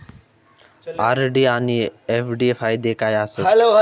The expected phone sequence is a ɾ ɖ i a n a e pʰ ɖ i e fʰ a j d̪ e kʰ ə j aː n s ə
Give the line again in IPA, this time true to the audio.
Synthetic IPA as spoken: a ɾ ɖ i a n i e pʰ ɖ i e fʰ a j d̪ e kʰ a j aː s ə